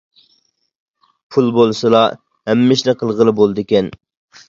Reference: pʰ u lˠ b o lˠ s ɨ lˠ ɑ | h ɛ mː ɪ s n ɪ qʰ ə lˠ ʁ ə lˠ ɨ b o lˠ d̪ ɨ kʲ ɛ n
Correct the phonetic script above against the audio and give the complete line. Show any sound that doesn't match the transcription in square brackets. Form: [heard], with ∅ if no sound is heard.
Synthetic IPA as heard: pʰ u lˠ b o lˠ s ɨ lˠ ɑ | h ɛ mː ɪ [ʃ] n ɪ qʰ ə lˠ ʁ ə lˠ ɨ b o lˠ d̪ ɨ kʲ ɛ n